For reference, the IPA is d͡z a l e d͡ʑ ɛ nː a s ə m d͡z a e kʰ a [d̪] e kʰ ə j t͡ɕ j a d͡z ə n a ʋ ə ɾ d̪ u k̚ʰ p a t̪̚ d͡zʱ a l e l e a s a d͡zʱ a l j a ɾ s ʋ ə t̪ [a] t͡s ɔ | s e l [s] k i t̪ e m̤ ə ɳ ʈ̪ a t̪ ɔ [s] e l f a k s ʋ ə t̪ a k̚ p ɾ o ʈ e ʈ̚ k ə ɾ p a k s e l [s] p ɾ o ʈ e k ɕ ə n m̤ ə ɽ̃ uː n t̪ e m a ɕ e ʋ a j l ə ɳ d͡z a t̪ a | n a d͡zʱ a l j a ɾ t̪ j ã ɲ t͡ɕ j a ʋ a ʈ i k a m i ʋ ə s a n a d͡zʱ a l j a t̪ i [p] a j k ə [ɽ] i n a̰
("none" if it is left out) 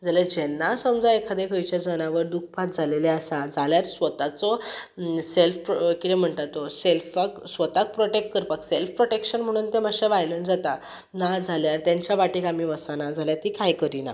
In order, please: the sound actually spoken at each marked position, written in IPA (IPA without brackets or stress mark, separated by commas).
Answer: d̪, a, f, s, f, k, ɾ